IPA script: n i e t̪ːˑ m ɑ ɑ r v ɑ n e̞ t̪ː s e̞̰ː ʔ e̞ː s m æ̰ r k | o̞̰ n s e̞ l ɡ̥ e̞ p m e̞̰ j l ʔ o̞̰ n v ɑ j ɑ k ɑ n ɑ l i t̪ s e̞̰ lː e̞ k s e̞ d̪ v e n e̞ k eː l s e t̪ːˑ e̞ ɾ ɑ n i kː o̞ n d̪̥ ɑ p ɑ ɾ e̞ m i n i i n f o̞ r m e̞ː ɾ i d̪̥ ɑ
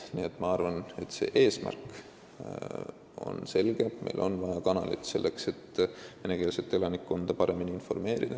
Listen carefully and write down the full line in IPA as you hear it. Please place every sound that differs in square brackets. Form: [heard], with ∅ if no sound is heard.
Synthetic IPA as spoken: n i e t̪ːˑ m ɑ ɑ r v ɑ n e̞ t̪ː s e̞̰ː ʔ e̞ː s m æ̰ r k | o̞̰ n s e̞ l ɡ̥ e̞ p m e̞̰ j l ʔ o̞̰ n v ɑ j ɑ k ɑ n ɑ l i t̪ s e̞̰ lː e̞ k s e̞ [t̪] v e n e̞ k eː l s e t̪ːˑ e̞ [l] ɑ n i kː o̞ n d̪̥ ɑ p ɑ ɾ e̞ m i n i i n f o̞ r m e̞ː ɾ i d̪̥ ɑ